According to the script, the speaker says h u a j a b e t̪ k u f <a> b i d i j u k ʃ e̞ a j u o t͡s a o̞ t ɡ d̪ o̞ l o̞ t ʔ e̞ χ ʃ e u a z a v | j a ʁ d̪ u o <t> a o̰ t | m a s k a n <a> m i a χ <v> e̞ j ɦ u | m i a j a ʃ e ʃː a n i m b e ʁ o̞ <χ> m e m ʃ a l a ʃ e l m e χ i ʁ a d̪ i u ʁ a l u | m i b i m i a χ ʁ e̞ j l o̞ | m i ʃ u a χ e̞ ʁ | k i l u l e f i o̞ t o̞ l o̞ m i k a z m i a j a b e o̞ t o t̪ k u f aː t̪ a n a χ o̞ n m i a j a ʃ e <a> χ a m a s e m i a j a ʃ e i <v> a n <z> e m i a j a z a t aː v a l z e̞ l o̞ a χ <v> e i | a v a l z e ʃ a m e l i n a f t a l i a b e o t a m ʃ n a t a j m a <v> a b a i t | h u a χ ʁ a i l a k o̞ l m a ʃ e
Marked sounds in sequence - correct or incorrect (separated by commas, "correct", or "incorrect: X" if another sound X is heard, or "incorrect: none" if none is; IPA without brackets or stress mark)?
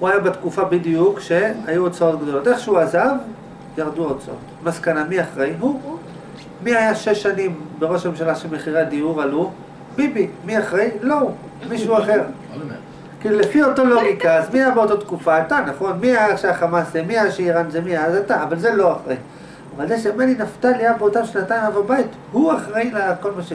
correct, incorrect: t͡s, correct, incorrect: ʁ, incorrect: ʃ, correct, incorrect: ʁ, correct, incorrect: ʁ, correct